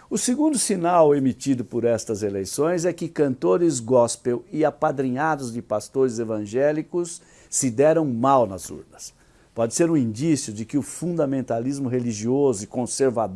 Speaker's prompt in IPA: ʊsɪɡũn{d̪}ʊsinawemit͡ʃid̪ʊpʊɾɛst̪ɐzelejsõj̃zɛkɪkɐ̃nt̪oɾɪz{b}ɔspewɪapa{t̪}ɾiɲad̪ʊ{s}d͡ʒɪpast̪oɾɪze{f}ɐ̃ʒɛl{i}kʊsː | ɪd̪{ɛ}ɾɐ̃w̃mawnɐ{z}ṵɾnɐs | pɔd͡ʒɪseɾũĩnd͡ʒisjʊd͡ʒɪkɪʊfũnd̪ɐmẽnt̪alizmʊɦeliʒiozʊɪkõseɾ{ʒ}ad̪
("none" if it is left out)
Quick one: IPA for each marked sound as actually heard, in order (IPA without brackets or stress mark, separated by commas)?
d̪, ɡ, d̪, z, v, i, ɛ, z, v